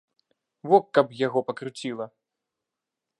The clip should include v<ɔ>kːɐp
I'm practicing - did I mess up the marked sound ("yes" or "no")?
no